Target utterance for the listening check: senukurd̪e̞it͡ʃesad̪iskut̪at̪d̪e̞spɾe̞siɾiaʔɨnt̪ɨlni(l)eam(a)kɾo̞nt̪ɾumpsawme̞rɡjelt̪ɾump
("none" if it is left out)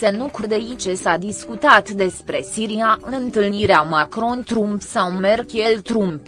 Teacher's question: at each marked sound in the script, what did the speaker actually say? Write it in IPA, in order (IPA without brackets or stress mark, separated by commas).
ɾ, a